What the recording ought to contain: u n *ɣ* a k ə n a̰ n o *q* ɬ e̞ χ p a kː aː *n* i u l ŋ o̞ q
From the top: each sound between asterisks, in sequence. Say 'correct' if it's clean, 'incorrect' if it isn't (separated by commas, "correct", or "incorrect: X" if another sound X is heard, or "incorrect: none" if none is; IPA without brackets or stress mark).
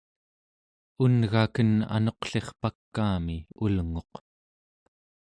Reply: correct, correct, incorrect: m